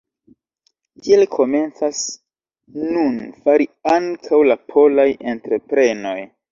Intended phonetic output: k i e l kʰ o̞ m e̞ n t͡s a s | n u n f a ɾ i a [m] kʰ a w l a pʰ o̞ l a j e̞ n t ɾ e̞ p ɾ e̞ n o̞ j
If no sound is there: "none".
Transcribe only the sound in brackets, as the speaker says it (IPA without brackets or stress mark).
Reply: ŋ